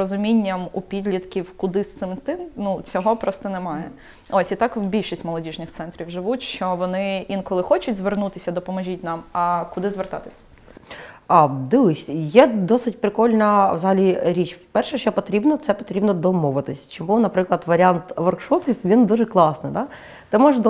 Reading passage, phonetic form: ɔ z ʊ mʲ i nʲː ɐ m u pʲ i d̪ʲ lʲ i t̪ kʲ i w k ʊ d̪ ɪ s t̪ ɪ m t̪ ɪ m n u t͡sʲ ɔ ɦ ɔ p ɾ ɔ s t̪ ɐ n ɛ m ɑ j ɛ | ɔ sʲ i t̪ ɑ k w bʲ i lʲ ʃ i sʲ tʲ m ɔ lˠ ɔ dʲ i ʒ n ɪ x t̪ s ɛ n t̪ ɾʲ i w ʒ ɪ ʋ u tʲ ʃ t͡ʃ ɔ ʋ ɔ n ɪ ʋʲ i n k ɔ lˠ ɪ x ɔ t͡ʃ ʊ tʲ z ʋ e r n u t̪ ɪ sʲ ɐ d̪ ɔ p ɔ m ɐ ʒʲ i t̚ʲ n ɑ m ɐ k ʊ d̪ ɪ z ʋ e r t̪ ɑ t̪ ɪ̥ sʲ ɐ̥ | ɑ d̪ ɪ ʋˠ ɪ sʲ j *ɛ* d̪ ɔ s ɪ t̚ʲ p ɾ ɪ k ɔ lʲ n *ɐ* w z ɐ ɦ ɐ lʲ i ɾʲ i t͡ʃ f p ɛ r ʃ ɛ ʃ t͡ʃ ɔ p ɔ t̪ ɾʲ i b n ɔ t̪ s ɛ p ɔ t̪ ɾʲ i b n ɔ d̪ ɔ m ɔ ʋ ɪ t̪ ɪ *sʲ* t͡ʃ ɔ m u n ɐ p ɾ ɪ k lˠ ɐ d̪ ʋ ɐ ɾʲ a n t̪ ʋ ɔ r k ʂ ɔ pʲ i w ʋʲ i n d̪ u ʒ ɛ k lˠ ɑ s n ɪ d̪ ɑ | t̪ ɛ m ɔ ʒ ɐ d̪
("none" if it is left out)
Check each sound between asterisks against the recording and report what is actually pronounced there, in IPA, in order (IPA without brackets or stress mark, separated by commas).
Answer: ɛ, ɐ, sʲ